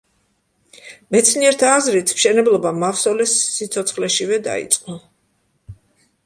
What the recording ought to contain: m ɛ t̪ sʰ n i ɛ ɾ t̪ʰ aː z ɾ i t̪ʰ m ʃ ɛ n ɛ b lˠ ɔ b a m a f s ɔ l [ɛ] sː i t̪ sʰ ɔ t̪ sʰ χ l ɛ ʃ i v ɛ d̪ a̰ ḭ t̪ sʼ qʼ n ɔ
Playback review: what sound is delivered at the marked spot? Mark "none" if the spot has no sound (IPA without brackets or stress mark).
ɛ